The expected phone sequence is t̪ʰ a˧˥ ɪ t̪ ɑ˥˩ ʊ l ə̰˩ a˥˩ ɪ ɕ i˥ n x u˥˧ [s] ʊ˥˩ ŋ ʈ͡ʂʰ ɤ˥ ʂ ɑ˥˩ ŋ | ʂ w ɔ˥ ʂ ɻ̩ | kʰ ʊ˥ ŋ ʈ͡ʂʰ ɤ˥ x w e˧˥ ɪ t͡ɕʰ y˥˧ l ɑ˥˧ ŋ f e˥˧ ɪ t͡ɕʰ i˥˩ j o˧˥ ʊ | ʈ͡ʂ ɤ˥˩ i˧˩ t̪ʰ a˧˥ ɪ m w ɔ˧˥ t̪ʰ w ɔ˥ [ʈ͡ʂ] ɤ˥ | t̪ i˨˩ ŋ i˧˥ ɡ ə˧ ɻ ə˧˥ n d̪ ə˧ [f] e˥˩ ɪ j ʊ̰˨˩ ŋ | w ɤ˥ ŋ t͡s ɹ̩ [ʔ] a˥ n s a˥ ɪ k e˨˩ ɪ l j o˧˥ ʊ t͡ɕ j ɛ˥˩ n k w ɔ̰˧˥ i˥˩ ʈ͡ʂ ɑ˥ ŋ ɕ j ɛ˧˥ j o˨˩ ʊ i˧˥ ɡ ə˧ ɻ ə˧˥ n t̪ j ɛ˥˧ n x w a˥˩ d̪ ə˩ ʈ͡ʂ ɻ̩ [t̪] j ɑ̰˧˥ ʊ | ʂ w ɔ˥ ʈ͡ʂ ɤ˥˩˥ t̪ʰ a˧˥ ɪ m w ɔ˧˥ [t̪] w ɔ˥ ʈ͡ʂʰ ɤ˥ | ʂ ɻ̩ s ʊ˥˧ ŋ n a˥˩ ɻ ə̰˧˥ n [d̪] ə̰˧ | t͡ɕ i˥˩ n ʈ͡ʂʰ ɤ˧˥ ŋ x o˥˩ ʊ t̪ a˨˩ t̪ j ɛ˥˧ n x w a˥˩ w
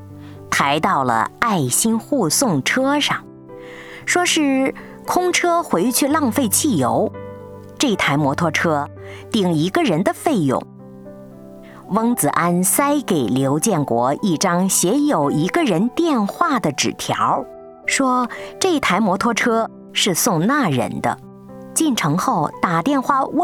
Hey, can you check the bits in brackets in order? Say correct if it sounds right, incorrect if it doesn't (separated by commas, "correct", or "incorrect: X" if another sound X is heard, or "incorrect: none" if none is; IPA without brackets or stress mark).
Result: correct, incorrect: ʈ͡ʂʰ, correct, correct, incorrect: t̪ʰ, incorrect: t̪ʰ, correct